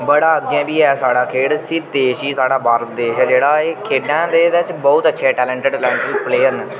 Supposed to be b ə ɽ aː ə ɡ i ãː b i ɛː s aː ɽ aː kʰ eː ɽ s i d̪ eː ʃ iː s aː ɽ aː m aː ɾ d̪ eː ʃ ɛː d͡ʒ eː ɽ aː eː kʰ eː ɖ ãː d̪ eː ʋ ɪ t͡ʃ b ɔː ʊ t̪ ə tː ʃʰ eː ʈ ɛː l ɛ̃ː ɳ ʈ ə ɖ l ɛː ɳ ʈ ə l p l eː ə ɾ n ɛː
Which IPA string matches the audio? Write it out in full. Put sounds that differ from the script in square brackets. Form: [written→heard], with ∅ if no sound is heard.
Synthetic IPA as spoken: b ə ɽ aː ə ɡ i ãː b [i→iː] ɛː s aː ɽ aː kʰ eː ɽ s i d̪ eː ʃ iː s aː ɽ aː [m→b] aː ɾ d̪ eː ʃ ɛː d͡ʒ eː ɽ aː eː kʰ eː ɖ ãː d̪ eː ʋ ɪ t͡ʃ b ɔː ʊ t̪ ə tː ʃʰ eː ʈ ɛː l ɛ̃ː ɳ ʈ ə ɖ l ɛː ɳ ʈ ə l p l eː ə ɾ n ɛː